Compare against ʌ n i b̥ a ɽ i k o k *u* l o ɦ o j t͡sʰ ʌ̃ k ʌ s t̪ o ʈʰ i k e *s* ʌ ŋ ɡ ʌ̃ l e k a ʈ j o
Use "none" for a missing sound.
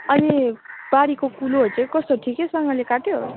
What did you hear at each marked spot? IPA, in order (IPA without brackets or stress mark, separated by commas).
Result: u, s